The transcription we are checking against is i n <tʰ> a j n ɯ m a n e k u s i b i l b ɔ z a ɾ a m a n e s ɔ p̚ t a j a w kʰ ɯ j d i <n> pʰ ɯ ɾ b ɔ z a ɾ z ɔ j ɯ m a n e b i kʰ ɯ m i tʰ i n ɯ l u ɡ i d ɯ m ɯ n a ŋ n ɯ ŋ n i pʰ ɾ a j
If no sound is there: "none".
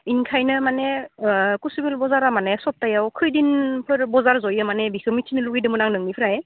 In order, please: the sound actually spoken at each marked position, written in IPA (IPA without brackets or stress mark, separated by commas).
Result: kʰ, n